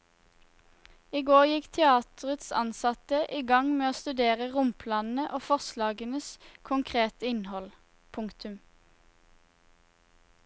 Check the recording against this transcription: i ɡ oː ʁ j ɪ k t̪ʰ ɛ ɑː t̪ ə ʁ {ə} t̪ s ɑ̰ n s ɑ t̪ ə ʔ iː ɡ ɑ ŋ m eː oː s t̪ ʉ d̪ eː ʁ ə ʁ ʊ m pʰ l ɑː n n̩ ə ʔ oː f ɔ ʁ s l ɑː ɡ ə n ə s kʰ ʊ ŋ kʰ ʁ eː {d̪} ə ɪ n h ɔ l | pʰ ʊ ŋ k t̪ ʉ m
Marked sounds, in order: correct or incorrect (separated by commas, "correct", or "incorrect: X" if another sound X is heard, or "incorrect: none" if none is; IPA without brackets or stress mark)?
correct, incorrect: t̪